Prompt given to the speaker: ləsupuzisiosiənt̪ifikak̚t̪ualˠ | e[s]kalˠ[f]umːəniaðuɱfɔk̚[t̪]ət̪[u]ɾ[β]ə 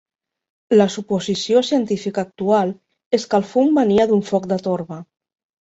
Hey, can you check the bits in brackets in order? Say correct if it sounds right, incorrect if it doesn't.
correct, correct, incorrect, incorrect, correct

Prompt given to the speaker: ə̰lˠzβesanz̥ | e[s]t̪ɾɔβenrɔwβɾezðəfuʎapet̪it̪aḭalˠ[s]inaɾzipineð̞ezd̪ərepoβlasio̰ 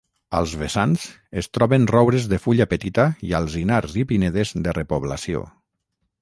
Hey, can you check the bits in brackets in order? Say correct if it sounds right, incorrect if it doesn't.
correct, incorrect

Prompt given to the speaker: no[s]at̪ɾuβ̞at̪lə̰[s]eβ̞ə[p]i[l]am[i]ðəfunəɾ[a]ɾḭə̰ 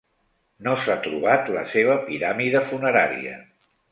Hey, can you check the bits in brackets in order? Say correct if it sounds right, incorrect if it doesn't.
correct, correct, correct, incorrect, correct, correct

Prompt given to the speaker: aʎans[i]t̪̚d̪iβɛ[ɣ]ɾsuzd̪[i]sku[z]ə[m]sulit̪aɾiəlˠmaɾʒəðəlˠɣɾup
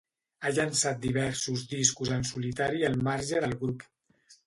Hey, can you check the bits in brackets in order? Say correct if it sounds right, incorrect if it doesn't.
incorrect, incorrect, correct, correct, incorrect

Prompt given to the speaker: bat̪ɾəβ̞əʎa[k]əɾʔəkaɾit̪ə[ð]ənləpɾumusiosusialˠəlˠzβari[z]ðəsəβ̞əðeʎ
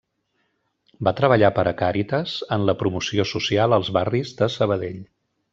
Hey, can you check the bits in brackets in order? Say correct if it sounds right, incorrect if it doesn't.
incorrect, incorrect, correct

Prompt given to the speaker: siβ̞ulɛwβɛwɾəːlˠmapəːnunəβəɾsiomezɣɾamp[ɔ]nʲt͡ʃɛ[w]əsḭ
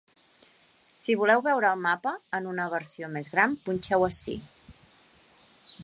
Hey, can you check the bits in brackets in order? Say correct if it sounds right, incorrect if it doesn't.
incorrect, correct

